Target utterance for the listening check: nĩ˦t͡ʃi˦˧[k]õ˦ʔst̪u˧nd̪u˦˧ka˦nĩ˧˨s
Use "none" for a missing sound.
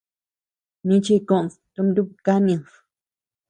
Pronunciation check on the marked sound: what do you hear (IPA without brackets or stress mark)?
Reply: k